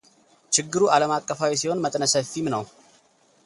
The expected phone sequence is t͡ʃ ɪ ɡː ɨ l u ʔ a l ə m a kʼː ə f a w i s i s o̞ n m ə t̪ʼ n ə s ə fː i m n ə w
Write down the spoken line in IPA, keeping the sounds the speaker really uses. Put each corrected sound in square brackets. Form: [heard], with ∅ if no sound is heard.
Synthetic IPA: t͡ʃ ɪ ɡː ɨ [ɾ] u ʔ a l ə m a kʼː ə f a w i s i [h] o̞ n m ə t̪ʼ n ə s ə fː i m n ə w